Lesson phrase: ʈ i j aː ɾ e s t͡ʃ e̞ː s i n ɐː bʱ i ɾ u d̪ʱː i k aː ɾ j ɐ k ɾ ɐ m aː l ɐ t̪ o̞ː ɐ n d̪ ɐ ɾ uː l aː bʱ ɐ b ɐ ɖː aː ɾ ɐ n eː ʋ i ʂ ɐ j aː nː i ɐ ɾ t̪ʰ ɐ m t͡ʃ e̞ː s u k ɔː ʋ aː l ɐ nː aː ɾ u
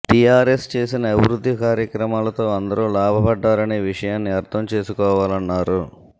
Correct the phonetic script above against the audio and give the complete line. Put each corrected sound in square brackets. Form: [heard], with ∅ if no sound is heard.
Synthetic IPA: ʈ i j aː ɾ e s t͡ʃ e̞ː s i n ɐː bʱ i ɾ u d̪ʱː i k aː ɾ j ɐ k ɾ ɐ m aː l ɐ t̪ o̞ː ɐ n d̪ ɐ ɾ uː l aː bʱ ɐ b ɐ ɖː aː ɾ ɐ n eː ʋ i ʂ ɐ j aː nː i ɐ ɾ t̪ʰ ɐ m t͡ʃ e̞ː s u k ɔː ʋ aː l ɐ nː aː ɾ u